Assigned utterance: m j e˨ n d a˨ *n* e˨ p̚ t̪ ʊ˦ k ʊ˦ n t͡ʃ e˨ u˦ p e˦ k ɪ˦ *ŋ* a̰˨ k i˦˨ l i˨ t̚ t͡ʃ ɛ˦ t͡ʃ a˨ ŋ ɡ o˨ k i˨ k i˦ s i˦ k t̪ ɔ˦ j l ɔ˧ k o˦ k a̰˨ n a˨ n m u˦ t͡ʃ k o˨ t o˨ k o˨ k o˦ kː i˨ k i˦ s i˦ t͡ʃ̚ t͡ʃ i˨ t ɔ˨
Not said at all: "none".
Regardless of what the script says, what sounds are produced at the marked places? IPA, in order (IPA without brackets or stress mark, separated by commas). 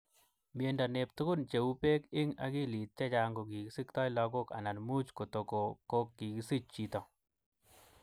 n, ŋ